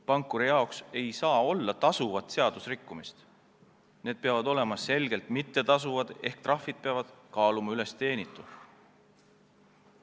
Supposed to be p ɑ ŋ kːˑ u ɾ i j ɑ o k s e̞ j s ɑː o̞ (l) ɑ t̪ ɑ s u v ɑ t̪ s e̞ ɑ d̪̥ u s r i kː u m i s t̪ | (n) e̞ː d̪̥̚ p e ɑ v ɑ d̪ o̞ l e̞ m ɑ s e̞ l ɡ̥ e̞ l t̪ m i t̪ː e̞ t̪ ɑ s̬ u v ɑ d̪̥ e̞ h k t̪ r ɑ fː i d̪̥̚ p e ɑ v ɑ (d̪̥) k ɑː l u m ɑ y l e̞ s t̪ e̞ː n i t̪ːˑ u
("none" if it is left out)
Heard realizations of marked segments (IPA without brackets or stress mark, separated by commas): lː, n, d̪̥